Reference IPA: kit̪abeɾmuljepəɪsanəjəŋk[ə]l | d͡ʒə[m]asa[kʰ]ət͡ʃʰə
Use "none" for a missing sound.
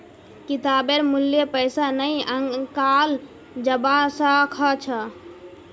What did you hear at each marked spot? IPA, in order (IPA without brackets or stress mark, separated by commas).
a, b, kʰ